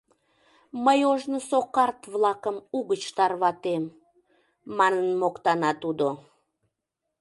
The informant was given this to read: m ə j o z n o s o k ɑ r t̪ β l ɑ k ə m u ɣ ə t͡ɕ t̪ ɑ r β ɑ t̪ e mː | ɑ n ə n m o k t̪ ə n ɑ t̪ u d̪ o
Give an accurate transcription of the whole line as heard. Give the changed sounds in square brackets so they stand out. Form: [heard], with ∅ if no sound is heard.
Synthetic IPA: m ə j o [ʒ] n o s o k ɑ r t̪ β l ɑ k ə m u ɣ ə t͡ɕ t̪ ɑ r β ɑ t̪ e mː | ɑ n ə n m o k t̪ [ɑ] n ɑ t̪ u d̪ o